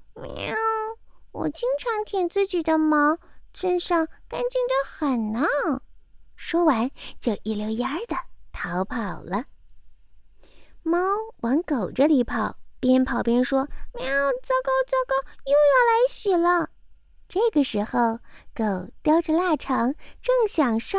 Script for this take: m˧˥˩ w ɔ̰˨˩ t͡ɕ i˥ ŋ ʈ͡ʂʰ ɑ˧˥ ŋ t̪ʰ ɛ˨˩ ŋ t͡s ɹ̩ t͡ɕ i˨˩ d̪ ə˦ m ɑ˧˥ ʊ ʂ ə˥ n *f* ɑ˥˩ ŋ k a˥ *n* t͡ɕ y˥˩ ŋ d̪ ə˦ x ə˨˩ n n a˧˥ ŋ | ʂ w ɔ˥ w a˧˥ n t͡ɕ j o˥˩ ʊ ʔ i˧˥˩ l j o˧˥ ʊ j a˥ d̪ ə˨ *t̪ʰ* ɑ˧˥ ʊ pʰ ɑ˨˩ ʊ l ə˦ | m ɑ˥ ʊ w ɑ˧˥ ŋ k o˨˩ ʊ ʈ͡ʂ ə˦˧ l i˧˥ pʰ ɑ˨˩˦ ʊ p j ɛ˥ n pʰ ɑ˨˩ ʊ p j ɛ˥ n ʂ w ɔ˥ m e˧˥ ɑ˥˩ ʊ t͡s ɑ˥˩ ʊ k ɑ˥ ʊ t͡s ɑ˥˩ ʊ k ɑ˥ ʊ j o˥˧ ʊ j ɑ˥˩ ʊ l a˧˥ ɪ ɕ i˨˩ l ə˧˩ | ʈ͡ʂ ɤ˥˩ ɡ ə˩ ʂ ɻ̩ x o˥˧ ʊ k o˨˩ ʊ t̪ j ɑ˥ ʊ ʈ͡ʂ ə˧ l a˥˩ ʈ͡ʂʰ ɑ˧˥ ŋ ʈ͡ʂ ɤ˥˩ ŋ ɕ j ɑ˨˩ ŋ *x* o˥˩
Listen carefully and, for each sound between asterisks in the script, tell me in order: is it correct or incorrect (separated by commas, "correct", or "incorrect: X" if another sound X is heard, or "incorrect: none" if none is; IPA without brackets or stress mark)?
incorrect: ʂ, correct, correct, incorrect: ʂ